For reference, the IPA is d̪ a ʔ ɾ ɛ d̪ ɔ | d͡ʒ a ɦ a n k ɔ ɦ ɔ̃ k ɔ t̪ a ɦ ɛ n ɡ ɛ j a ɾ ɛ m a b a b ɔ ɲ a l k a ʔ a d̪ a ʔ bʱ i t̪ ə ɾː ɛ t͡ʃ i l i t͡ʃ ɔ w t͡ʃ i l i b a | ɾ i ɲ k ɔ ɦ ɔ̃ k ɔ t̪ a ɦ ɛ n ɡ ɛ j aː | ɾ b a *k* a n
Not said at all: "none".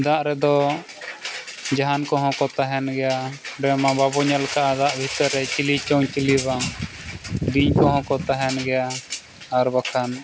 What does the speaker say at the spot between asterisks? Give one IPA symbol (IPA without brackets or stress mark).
kʰ